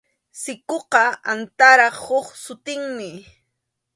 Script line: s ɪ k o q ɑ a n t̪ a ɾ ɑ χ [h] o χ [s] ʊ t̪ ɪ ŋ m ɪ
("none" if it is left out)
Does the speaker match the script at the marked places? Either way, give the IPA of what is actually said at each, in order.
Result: h, s

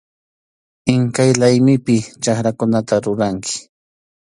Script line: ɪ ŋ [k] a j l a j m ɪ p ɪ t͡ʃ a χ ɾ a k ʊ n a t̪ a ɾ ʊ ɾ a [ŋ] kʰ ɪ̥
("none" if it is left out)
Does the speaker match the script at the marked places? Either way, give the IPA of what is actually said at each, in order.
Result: k, ŋ

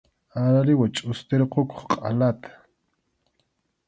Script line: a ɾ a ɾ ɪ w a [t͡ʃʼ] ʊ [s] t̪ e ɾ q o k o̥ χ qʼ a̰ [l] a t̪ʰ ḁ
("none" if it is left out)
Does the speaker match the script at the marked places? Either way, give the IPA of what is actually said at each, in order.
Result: t͡ʃʼ, s, l

